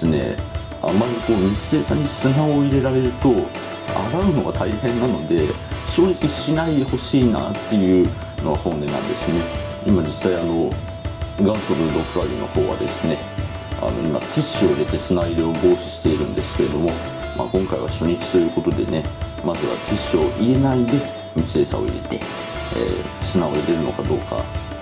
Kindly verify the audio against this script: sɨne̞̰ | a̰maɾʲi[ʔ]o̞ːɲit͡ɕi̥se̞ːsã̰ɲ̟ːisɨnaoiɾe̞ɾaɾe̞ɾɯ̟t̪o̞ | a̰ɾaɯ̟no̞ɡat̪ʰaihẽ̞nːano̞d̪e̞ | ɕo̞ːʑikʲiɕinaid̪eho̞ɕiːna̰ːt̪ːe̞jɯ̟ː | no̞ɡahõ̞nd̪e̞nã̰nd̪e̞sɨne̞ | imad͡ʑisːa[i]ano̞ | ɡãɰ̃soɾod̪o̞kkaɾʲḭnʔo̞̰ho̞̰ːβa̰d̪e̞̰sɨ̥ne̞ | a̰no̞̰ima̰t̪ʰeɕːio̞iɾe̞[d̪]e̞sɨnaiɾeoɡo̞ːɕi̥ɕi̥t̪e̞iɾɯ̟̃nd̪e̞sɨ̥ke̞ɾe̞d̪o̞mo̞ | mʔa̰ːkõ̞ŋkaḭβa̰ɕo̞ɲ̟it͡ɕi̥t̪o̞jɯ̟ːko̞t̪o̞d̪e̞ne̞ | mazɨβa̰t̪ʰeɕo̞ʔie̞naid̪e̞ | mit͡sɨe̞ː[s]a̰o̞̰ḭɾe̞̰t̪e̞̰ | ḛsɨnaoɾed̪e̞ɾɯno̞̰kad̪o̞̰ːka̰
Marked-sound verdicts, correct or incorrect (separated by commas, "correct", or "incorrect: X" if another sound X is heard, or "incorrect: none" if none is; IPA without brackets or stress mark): incorrect: k, correct, incorrect: t̪, correct